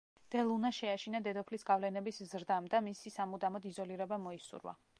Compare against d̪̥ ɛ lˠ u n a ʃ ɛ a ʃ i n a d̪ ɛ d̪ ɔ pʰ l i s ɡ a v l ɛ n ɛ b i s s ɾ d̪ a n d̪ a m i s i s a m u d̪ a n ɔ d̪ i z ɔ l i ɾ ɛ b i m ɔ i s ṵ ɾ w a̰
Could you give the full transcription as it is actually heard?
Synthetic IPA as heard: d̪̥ ɛ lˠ u n a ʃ ɛ a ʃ i n a d̪ ɛ d̪ ɔ pʰ l i s ɡ a v l ɛ n ɛ b i s z ɾ d̪ a m d̪ a m i s i s a m u d̪ a m ɔ d̪ i z ɔ l i ɾ ɛ b a m ɔ i s ṵ ɾ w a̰